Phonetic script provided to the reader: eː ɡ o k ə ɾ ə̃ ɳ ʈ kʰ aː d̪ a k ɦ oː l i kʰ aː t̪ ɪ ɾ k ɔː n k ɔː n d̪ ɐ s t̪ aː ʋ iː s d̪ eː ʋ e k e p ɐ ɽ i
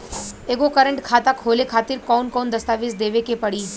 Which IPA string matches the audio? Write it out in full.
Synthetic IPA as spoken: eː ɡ o k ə ɾ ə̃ ɳ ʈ kʰ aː t̪ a k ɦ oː l e kʰ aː t̪ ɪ ɾ k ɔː n k ɔː n d̪ ɐ s t̪ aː ʋ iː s d̪ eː ʋ e k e p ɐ ɽ i